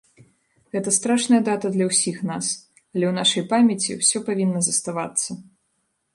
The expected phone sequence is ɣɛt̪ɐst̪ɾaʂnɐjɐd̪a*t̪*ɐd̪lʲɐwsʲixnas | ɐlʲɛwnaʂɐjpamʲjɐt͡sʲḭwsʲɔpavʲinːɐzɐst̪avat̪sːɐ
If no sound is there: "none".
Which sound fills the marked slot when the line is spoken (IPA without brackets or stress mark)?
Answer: t̪